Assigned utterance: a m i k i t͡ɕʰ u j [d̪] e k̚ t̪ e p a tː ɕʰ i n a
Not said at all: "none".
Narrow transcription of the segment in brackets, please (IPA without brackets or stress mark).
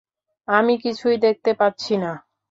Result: d̪